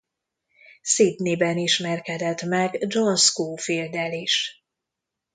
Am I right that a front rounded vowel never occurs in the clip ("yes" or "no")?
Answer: yes